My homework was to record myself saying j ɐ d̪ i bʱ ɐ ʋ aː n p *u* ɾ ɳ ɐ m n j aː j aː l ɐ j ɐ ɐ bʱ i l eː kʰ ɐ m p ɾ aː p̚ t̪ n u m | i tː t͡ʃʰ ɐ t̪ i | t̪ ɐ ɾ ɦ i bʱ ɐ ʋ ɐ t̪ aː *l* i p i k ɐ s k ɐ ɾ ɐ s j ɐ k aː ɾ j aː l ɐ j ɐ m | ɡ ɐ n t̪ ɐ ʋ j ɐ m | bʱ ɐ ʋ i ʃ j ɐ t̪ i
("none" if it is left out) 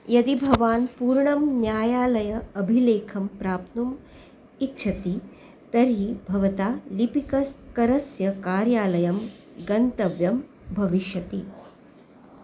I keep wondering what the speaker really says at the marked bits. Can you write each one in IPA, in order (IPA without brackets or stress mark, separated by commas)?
uː, l